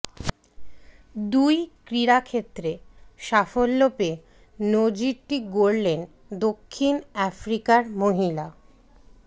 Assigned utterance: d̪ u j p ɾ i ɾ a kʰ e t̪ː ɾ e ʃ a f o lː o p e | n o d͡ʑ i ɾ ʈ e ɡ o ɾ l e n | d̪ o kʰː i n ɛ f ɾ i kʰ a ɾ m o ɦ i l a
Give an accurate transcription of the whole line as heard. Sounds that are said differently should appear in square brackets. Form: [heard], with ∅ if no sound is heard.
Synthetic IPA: d̪ u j [k] ɾ i ɾ a kʰ e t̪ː ɾ e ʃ a f o lː o p e | n o d͡ʑ i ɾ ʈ [i] ɡ o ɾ l e n | d̪ o kʰː i n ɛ f ɾ i [k] a ɾ m o ɦ i l a